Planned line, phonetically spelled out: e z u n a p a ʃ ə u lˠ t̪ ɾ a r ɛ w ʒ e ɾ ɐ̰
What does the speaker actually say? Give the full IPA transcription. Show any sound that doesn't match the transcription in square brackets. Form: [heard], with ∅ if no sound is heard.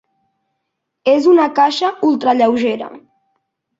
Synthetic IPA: e z u n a [k] a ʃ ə u lˠ t̪ ɾ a [ʎ] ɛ w ʒ e ɾ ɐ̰